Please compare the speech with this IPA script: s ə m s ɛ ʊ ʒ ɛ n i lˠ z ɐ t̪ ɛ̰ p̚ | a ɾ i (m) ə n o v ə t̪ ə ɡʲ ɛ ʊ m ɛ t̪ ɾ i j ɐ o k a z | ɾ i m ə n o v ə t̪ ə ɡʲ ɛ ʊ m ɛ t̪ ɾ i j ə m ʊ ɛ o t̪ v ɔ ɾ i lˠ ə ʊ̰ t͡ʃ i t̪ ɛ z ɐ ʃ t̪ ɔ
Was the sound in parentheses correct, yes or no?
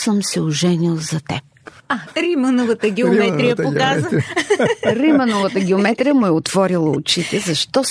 yes